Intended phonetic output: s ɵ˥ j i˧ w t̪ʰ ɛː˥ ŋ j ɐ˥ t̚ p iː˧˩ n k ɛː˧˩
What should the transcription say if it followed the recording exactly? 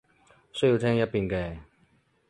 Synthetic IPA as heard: s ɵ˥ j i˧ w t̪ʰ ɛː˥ ŋ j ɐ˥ t̚ p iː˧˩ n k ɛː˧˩